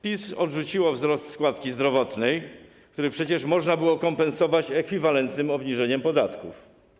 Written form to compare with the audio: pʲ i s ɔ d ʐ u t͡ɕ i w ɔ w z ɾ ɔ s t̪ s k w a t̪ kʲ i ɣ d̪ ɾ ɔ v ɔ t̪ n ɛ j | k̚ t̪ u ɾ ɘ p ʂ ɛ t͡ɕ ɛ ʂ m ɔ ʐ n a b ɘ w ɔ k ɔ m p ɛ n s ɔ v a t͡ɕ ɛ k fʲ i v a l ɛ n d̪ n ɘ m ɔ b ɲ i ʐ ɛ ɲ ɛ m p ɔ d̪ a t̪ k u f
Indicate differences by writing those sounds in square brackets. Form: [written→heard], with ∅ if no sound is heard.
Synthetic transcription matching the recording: pʲ i s ɔ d ʐ u t͡ɕ i w ɔ [w→v] z ɾ ɔ s t̪ s k w a t̪ kʲ i [ɣ→z] d̪ ɾ ɔ v ɔ t̪ n ɛ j | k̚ t̪ u ɾ ɘ p ʂ ɛ t͡ɕ ɛ ʂ m ɔ ʐ n a b ɘ w ɔ k ɔ m p ɛ n s ɔ v a t͡ɕ ɛ k fʲ i v a l ɛ n [d̪→t̪] n ɘ m ɔ b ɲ i ʐ ɛ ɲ ɛ m p ɔ d̪ a t̪ k u f

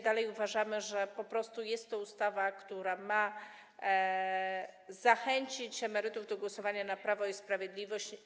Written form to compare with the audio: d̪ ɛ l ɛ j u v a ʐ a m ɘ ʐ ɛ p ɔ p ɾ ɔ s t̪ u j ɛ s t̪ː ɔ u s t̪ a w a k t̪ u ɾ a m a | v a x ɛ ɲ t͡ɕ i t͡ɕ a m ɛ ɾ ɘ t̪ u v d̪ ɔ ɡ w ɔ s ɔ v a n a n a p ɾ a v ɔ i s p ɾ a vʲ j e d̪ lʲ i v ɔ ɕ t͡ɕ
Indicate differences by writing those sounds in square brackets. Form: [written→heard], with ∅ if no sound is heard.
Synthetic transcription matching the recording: d̪ [ɛ→a] l ɛ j u v a ʐ a m ɘ ʐ ɛ p ɔ p ɾ ɔ s t̪ u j ɛ s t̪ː ɔ u s t̪ a [w→v] a k t̪ u ɾ a m a | [v→z] a x ɛ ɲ t͡ɕ i t͡ɕ [a→ɛ] m ɛ ɾ ɘ t̪ u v d̪ ɔ ɡ w ɔ s ɔ v a [n→ɲ] a n a p ɾ a v ɔ i s p ɾ a vʲ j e d̪ lʲ i v ɔ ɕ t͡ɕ

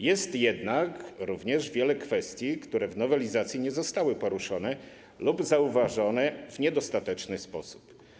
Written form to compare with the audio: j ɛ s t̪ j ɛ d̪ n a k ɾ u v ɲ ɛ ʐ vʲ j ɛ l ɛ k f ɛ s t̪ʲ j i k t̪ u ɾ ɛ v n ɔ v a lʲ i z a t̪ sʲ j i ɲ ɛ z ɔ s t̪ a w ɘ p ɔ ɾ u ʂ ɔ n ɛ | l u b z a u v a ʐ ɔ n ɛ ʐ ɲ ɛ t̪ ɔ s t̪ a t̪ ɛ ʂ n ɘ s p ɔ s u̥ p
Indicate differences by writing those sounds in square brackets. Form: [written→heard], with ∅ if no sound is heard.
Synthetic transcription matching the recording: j ɛ s t̪ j ɛ d̪ n a k ɾ u v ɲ ɛ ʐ vʲ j ɛ l ɛ k f ɛ s t̪ʲ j i k t̪ u ɾ ɛ v n ɔ v [a→ɛ] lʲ i z a t̪ sʲ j i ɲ ɛ z ɔ s t̪ a w ɘ p ɔ ɾ u ʂ ɔ n ɛ | l u b z a u v a ʐ ɔ n ɛ [ʐ→v] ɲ ɛ [t̪→d̪] ɔ s t̪ a t̪ ɛ [ʂ→t͡ʂ] n ɘ s p ɔ s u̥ p

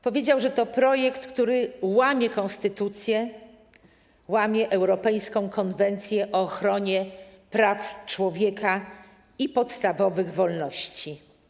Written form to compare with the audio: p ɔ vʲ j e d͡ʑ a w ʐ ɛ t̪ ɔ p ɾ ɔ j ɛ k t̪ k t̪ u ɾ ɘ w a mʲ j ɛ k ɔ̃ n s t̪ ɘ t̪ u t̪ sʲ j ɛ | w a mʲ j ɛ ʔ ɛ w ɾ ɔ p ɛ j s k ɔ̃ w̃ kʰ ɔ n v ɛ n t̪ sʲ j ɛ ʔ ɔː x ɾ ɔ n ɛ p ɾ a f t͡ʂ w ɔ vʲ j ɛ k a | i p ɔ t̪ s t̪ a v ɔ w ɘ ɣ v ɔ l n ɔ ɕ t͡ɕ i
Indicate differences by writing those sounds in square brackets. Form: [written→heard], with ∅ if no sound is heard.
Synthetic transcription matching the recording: p ɔ vʲ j e d͡ʑ a w ʐ ɛ t̪ ɔ p ɾ ɔ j ɛ k t̪ k t̪ u ɾ ɘ w a mʲ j ɛ k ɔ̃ n s t̪ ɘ t̪ u t̪ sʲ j ɛ | w a mʲ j ɛ ʔ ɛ w ɾ ɔ p ɛ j s k ɔ̃ w̃ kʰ ɔ n v ɛ n t̪ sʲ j ɛ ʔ ɔː x ɾ ɔ [n→ɲ] ɛ p ɾ a f t͡ʂ w ɔ vʲ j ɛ k a | i p ɔ t̪ s t̪ a v ɔ [w→v] ɘ ɣ v ɔ l n ɔ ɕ t͡ɕ i

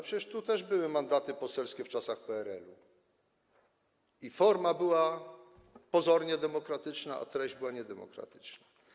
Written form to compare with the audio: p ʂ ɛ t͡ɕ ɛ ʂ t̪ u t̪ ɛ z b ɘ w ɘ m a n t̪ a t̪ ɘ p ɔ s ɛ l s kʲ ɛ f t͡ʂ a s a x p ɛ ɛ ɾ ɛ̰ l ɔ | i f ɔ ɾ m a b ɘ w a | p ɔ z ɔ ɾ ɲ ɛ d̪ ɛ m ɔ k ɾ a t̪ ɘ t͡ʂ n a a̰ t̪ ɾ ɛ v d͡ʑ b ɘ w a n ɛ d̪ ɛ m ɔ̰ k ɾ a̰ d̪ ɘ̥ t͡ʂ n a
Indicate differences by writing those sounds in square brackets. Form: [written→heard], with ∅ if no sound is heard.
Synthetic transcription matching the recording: p ʂ ɛ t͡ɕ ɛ ʂ t̪ u t̪ ɛ [z→ʐ] b ɘ w ɘ m a n [t̪→d̪] a t̪ ɘ p ɔ s ɛ l s kʲ ɛ f t͡ʂ a s a x p ɛ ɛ ɾ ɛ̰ l [ɔ→u] | i f ɔ ɾ m a b ɘ w a | p ɔ z ɔ ɾ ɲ ɛ d̪ ɛ m ɔ k ɾ a t̪ ɘ t͡ʂ n a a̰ t̪ ɾ ɛ [v→ʑ] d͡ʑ b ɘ w a [n→ɲ] ɛ d̪ ɛ m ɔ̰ k ɾ a̰ [d̪→t̪] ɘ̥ t͡ʂ n a

